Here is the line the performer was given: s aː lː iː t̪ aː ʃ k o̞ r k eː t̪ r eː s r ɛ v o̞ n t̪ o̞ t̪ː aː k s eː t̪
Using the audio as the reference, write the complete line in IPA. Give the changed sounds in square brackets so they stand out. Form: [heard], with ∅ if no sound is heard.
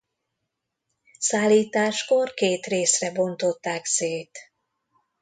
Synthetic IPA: s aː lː iː t̪ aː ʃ k o̞ r k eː t̪ r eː s r ɛ [b] o̞ n t̪ o̞ t̪ː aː k s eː t̪